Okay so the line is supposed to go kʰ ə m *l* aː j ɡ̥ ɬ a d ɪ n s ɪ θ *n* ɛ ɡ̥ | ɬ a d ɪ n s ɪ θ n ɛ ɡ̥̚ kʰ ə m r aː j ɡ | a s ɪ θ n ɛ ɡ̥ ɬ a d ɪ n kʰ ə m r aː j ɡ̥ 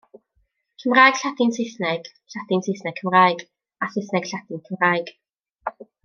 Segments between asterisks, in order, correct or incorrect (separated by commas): incorrect, correct